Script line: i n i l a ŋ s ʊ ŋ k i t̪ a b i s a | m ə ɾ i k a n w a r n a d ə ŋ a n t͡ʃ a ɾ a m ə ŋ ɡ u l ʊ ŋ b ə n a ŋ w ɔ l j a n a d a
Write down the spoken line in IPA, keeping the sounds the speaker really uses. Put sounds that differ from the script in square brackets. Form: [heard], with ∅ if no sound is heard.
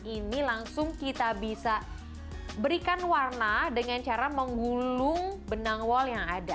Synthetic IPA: i n i l a ŋ s ʊ ŋ k i t̪ a b i s a | [b] ə ɾ i k a n w a r n a d ə ŋ a n t͡ʃ a ɾ a m ə ŋ ɡ u l ʊ ŋ b ə n a ŋ w ɔ l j a [ŋ] a d a